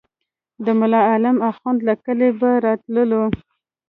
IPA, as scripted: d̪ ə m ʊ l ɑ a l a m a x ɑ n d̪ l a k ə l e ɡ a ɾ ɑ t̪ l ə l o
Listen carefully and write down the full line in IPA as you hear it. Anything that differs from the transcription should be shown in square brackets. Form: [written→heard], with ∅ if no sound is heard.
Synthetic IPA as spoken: d̪ ə m ʊ l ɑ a l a m a x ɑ n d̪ l a k ə l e [ɡ→b] a ɾ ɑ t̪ l ə l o